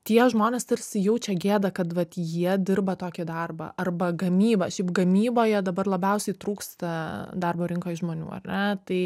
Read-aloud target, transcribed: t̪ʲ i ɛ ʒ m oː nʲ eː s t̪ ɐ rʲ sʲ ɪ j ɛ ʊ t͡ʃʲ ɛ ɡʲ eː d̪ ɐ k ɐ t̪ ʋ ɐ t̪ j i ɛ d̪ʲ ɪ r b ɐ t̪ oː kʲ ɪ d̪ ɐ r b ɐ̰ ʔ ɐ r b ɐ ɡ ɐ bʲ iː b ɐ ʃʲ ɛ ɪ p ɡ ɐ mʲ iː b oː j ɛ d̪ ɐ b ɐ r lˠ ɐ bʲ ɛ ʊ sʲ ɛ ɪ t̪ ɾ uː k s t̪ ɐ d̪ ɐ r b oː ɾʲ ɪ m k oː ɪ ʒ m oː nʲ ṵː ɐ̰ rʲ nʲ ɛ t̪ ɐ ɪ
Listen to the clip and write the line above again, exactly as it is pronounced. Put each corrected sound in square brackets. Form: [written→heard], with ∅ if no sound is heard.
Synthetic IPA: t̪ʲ i ɛ ʒ m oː nʲ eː s t̪ ɐ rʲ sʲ ɪ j ɛ ʊ t͡ʃʲ ɛ ɡʲ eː d̪ ɐ k ɐ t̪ ʋ ɐ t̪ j i ɛ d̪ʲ ɪ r b ɐ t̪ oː kʲ ɪ d̪ ɐ r b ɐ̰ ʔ ɐ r b ɐ ɡ ɐ [bʲ→mʲ] iː b ɐ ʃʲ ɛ ɪ p ɡ ɐ mʲ iː b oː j ɛ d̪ ɐ b ɐ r lˠ ɐ bʲ ɛ ʊ sʲ ɛ ɪ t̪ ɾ uː k s t̪ ɐ d̪ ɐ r b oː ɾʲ ɪ [m→ŋ] k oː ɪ ʒ m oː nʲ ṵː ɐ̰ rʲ nʲ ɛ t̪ ɐ ɪ